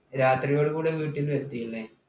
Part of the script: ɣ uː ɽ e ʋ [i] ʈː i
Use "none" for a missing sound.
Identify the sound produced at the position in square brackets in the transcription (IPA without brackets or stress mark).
iː